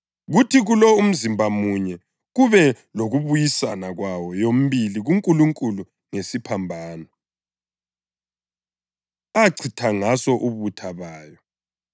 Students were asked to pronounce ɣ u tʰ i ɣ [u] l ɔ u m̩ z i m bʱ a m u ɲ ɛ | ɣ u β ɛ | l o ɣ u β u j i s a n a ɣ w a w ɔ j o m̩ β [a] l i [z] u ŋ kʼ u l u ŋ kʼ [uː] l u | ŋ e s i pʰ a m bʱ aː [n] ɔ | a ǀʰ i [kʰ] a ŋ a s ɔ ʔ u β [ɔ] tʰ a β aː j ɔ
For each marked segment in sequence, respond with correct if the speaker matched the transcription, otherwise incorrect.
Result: correct, incorrect, incorrect, incorrect, correct, incorrect, incorrect

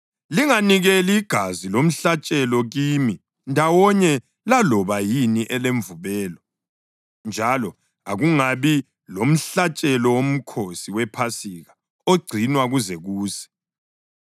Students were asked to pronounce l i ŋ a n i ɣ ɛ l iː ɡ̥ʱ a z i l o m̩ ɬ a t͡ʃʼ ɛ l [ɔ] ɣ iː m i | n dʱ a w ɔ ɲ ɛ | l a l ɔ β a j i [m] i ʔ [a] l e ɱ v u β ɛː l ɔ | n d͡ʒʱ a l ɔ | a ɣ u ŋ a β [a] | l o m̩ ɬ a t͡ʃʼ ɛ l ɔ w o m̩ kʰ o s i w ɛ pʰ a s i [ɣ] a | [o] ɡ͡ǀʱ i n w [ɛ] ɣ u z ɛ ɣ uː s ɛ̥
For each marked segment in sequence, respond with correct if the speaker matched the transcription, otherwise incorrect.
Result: correct, incorrect, incorrect, incorrect, correct, correct, incorrect

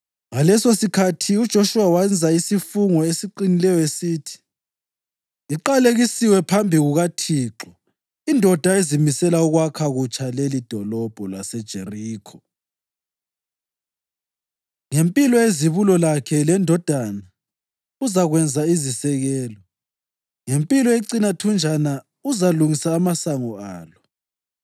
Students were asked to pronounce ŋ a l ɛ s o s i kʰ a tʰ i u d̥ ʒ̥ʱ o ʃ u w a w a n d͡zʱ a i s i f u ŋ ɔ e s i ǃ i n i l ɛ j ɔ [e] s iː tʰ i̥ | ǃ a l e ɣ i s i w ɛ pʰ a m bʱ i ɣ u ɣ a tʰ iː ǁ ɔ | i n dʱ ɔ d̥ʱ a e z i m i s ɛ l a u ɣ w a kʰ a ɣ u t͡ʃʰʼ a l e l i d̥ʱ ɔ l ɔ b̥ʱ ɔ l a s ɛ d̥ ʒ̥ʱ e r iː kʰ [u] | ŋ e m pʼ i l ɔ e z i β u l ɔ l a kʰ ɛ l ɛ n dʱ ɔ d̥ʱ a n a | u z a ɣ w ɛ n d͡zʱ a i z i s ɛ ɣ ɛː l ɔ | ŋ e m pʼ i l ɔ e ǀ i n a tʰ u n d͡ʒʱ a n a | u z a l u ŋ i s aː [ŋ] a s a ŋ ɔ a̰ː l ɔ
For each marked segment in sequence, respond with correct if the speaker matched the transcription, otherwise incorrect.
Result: correct, incorrect, incorrect

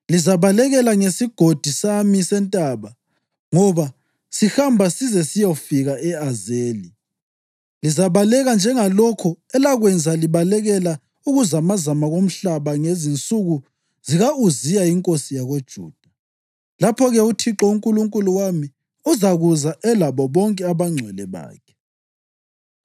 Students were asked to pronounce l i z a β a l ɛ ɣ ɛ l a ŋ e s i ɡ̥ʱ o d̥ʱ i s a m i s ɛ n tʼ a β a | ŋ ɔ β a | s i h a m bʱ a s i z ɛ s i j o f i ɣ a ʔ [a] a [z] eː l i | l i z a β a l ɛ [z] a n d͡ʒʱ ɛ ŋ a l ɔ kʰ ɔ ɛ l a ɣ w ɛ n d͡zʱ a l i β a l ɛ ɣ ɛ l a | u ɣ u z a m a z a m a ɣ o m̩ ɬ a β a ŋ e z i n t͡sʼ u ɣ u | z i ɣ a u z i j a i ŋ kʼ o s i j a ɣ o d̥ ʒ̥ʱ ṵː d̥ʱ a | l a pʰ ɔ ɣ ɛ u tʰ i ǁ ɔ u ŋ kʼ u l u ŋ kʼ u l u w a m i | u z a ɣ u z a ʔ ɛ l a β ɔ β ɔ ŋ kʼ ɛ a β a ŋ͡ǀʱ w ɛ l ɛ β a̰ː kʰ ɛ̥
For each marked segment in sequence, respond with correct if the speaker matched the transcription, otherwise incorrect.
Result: incorrect, correct, incorrect

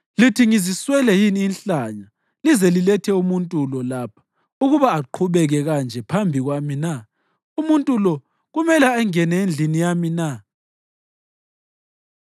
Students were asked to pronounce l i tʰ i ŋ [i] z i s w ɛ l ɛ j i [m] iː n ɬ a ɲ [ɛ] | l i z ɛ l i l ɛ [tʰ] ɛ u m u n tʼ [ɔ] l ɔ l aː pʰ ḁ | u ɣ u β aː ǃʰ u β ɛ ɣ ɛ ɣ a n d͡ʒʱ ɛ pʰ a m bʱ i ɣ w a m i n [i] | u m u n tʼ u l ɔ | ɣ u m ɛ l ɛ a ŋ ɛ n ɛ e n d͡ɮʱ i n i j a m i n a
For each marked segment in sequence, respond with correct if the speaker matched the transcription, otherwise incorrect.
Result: correct, incorrect, incorrect, correct, incorrect, incorrect

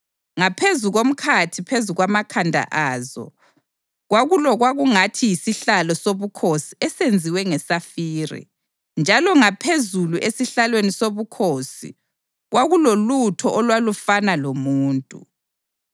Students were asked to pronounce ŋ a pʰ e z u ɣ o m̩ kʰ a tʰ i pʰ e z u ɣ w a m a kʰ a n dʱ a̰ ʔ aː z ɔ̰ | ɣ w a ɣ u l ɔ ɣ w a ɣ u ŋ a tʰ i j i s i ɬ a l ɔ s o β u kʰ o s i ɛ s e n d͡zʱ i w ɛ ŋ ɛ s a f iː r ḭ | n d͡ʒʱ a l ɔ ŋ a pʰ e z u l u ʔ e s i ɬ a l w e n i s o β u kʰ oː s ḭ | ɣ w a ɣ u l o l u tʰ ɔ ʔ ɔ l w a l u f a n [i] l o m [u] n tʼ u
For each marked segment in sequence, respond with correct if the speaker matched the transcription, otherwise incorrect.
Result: incorrect, incorrect

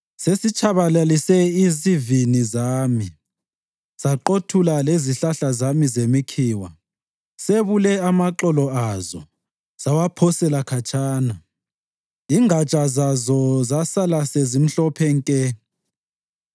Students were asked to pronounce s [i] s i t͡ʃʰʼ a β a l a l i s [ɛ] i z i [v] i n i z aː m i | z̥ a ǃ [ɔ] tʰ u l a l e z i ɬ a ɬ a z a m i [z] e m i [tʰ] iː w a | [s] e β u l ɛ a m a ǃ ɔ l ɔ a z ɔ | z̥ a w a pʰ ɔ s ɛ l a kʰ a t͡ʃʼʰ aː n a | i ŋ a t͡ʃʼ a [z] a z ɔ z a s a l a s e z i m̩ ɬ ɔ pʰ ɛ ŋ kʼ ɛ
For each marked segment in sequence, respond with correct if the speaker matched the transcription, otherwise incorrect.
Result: incorrect, correct, correct, incorrect, correct, incorrect, correct, correct

